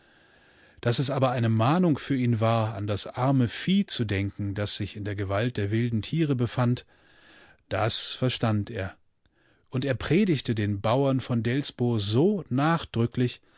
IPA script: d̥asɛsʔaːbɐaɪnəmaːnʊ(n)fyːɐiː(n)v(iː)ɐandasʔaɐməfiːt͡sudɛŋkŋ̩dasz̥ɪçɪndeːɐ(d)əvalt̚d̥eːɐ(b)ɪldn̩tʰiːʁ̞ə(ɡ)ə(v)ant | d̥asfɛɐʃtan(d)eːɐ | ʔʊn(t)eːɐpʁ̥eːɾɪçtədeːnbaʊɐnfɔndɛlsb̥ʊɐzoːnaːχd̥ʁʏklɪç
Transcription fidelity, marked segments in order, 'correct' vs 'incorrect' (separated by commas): incorrect, correct, incorrect, incorrect, incorrect, incorrect, incorrect, incorrect, correct